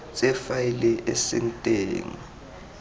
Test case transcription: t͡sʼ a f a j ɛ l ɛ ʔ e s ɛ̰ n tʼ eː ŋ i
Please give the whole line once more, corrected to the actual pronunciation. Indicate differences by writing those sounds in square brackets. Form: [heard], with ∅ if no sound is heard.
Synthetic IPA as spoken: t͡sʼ [ɛ] f a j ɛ l ɛ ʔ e s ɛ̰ n tʼ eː ŋ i